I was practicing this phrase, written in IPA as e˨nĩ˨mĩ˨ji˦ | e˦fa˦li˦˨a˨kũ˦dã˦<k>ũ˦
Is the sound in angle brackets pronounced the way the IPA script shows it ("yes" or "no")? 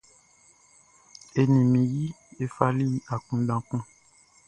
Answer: yes